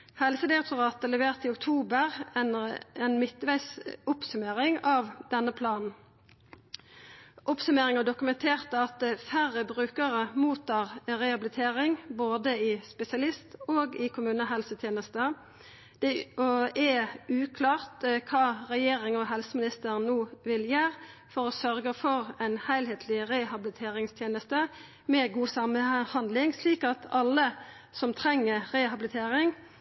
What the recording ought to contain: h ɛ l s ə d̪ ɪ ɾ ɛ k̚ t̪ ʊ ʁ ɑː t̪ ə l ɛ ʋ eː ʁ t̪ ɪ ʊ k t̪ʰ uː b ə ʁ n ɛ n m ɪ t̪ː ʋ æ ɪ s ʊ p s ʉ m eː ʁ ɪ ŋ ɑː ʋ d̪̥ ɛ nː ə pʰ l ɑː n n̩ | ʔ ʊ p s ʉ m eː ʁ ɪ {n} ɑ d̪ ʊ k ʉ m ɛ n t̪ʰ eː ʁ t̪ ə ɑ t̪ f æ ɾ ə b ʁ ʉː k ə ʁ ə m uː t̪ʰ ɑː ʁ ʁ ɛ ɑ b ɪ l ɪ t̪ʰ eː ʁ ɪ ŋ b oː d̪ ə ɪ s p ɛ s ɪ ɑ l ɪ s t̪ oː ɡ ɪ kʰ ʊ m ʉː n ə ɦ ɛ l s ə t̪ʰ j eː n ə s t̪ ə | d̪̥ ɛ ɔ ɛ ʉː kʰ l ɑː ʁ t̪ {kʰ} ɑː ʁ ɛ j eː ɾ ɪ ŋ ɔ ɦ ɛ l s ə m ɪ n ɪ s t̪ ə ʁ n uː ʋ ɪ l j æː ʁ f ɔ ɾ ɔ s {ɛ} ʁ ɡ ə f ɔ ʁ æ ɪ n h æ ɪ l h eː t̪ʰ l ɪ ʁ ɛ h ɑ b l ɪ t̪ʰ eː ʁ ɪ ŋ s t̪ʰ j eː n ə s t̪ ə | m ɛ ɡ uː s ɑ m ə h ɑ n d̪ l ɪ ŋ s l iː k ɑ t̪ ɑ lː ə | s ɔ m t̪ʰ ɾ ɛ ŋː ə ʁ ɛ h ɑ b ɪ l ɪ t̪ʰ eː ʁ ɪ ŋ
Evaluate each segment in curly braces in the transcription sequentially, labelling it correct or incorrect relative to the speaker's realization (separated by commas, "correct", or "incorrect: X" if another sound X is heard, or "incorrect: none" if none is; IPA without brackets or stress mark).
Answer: incorrect: ŋ, correct, incorrect: œ